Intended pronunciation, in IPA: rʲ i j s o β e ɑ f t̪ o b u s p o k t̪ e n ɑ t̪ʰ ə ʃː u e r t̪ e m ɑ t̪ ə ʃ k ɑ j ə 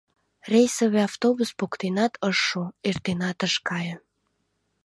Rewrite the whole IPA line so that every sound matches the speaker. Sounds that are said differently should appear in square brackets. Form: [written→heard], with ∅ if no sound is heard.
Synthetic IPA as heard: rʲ [i→e] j s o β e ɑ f t̪ o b u s p o k t̪ e n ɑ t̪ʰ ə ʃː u e r t̪ e [m→n] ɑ t̪ ə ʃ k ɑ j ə